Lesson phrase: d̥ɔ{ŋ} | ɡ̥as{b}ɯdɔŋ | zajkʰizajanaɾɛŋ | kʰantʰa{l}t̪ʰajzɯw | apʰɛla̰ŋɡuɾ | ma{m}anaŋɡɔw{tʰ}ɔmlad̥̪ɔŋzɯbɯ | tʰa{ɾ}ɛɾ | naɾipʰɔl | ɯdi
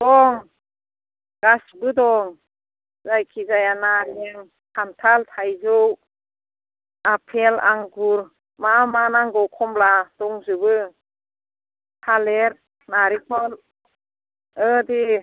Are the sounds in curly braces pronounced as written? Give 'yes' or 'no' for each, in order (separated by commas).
yes, yes, yes, yes, no, no